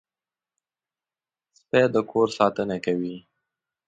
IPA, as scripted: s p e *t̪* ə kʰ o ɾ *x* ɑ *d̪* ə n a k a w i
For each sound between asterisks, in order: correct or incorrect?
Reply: incorrect, incorrect, incorrect

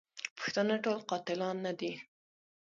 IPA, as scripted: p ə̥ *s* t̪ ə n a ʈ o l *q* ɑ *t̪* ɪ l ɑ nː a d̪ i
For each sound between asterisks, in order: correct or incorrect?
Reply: incorrect, correct, correct

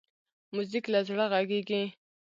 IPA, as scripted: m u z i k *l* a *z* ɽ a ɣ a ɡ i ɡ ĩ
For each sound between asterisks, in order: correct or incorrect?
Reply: correct, correct

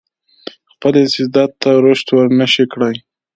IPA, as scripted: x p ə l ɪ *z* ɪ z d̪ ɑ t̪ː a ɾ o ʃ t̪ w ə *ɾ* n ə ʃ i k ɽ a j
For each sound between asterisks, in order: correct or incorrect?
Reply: incorrect, correct

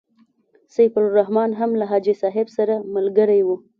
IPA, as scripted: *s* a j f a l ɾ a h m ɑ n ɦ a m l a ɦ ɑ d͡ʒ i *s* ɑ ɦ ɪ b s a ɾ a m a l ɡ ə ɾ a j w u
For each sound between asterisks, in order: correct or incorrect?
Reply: correct, correct

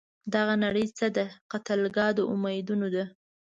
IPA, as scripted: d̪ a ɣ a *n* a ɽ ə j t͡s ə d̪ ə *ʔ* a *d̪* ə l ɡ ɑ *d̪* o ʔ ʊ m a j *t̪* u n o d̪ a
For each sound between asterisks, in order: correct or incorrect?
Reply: correct, incorrect, incorrect, correct, incorrect

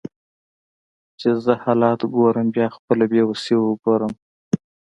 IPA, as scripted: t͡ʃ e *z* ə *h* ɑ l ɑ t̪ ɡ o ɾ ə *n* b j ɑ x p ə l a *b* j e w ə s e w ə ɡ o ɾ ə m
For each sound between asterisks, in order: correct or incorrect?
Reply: correct, correct, incorrect, correct

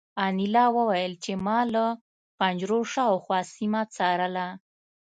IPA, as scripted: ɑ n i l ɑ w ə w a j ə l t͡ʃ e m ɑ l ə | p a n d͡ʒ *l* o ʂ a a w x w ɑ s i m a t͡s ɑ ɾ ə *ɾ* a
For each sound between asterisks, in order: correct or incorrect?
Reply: incorrect, incorrect

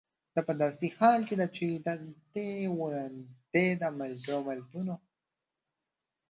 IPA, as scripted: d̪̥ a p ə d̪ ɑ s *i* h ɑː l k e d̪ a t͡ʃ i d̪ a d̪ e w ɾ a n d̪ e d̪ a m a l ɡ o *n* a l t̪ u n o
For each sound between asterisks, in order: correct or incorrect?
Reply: correct, incorrect

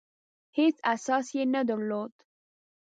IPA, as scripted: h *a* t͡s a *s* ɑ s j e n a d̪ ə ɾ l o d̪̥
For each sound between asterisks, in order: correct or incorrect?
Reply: incorrect, correct

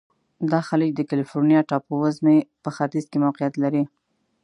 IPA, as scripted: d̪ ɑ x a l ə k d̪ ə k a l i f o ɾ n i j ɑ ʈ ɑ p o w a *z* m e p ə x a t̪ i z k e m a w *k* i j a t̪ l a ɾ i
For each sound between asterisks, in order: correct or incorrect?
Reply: correct, incorrect

